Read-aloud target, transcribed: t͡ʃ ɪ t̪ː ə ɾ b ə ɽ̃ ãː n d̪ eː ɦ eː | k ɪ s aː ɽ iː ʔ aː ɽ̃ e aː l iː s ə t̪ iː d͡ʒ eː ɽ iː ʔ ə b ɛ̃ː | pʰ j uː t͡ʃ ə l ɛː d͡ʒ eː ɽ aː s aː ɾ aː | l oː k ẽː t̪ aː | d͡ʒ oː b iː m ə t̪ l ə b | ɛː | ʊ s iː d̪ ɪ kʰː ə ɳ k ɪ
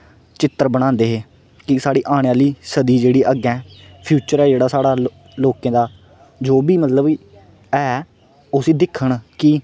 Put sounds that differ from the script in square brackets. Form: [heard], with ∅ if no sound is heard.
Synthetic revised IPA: t͡ʃ ɪ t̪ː ə ɾ b ə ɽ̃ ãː n d̪ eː ɦ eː | k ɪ s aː ɽ iː ʔ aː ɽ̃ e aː l iː s ə [d̪] iː d͡ʒ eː ɽ iː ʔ ə [ɡ] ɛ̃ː | pʰ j uː t͡ʃ ə [ɾ] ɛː d͡ʒ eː ɽ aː s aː [ɽ] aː | l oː k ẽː [d̪] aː | d͡ʒ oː b iː m ə t̪ l ə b | ɛː | ʊ s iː d̪ ɪ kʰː ə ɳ k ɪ